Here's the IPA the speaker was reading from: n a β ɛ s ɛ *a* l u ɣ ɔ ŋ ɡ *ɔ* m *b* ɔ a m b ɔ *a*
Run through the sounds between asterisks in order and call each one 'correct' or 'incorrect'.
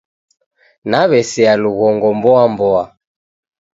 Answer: correct, correct, correct, correct

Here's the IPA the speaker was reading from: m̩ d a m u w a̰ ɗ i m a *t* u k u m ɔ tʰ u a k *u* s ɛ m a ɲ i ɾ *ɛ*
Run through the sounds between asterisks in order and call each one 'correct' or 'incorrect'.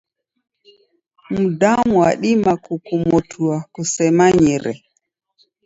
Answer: incorrect: k, correct, correct

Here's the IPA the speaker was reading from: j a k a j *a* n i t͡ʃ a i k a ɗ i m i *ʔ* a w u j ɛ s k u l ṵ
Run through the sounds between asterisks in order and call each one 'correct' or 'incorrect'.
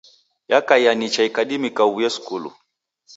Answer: correct, incorrect: k

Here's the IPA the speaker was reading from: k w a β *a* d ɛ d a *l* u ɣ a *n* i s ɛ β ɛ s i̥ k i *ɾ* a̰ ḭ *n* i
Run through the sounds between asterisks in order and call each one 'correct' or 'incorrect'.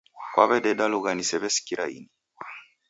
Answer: incorrect: ɛ, correct, correct, correct, correct

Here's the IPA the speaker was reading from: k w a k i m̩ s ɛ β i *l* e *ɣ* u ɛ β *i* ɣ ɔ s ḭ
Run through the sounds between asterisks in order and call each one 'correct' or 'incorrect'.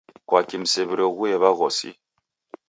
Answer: incorrect: ɾ, correct, incorrect: a

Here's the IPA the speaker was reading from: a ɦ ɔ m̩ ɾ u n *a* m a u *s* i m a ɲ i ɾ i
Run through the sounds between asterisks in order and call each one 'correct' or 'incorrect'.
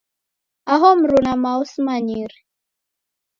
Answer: correct, correct

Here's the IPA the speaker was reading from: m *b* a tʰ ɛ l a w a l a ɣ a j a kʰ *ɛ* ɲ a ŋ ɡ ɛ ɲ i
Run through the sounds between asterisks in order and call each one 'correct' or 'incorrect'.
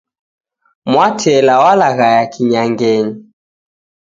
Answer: incorrect: w, incorrect: i

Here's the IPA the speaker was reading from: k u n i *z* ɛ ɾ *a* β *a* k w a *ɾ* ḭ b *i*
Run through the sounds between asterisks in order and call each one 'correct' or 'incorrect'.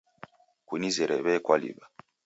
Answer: correct, incorrect: ɛ, incorrect: ɛ, incorrect: l, incorrect: a

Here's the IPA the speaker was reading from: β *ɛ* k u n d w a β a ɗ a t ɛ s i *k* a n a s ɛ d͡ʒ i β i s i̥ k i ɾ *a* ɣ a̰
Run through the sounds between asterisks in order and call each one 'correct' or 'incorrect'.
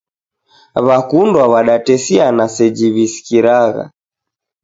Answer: incorrect: a, incorrect: none, correct

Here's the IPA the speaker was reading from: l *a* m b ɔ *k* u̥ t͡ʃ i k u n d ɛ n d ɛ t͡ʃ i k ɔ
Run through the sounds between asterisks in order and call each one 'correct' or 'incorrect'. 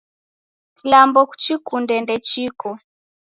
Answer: correct, correct

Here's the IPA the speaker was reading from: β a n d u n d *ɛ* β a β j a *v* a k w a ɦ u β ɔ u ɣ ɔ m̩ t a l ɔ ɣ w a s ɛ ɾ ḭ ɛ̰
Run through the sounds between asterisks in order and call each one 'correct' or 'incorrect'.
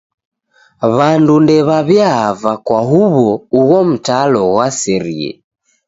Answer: correct, correct

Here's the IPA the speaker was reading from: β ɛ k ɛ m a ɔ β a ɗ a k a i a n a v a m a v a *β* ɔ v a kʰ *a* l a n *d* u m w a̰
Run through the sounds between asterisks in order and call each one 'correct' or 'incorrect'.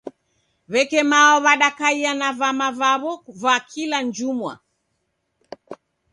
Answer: correct, incorrect: i, incorrect: d͡ʒ

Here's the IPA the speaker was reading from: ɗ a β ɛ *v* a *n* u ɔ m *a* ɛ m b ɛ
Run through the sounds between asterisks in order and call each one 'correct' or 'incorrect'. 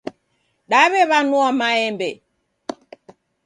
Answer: incorrect: β, correct, correct

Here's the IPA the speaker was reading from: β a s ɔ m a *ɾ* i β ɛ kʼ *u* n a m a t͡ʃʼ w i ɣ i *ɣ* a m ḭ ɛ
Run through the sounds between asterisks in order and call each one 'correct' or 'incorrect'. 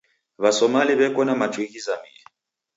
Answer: incorrect: l, incorrect: ɔ, incorrect: z

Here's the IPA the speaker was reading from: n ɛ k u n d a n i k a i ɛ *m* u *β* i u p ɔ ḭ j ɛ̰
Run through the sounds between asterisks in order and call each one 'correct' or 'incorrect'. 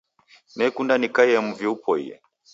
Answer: correct, incorrect: v

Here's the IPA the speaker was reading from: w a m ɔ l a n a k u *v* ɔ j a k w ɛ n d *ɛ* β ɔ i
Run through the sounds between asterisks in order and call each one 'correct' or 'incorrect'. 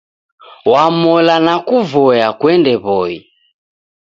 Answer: correct, correct

